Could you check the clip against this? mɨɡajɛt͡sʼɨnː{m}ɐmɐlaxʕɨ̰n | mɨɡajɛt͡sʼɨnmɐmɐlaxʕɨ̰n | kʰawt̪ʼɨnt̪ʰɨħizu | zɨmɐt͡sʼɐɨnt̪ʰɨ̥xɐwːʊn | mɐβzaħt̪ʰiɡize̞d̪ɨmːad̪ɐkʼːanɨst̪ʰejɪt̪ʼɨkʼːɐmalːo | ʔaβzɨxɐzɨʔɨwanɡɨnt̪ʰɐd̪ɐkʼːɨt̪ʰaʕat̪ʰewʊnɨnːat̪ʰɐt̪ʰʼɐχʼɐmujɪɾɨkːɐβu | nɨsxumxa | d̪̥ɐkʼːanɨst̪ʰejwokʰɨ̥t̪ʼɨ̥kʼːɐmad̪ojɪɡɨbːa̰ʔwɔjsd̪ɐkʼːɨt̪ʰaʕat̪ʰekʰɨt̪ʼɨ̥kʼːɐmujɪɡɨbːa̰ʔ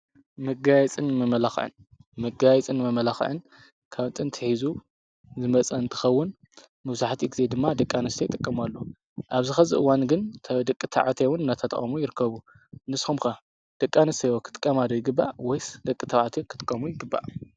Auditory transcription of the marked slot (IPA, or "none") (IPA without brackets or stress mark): m